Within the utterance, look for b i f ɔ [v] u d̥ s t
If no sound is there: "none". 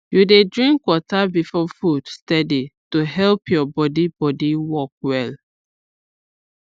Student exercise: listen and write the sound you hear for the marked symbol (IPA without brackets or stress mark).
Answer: f